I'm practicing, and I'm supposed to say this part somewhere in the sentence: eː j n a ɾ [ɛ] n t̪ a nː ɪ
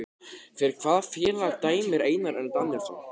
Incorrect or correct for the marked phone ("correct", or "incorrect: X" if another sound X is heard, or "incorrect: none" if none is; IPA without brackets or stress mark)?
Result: correct